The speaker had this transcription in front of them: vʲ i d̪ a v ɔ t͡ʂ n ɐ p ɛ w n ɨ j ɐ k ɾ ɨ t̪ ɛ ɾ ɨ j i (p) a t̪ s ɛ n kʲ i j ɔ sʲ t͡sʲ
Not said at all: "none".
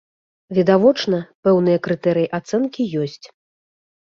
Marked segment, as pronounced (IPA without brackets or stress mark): ʔ